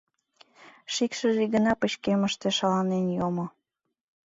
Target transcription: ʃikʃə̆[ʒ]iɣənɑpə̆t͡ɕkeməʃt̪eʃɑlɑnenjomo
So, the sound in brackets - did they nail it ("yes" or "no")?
yes